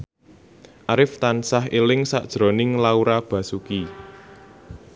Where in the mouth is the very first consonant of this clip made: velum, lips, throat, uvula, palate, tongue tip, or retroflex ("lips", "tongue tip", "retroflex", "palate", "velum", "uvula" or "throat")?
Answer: throat